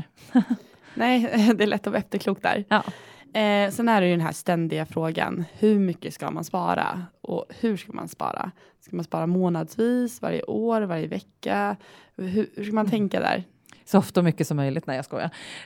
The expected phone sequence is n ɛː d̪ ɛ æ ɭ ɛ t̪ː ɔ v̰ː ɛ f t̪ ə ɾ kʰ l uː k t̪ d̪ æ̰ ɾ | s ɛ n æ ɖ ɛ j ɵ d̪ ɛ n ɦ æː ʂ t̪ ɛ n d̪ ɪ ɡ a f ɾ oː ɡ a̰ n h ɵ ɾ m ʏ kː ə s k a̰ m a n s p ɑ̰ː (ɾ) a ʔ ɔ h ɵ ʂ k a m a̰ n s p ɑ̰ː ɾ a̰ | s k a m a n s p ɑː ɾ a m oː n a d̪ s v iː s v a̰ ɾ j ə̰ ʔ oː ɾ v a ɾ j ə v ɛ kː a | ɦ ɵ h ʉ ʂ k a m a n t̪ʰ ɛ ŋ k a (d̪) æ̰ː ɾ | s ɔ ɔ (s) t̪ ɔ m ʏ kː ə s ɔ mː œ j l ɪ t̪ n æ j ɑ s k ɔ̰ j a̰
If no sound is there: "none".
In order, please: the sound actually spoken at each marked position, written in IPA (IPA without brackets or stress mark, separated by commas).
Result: ɾ, d̪, f